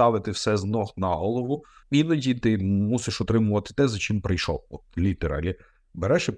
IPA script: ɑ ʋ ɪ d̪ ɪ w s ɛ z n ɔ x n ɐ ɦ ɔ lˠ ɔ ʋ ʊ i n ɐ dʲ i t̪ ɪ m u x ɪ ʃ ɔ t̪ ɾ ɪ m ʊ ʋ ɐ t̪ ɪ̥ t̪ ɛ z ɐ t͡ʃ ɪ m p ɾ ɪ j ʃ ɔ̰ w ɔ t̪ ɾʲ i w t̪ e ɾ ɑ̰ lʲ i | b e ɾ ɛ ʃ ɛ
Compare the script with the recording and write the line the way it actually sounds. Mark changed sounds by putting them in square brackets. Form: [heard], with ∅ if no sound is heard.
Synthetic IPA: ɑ ʋ ɪ [t̪] ɪ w s ɛ z n ɔ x n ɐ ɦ ɔ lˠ ɔ ʋ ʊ i n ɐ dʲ i t̪ ɪ m u [s] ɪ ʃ ɔ t̪ ɾ ɪ m ʊ ʋ ɐ t̪ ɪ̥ t̪ ɛ z ɐ t͡ʃ ɪ m p ɾ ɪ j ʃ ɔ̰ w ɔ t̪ [lʲ] i [∅] t̪ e ɾ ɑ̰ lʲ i | b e ɾ ɛ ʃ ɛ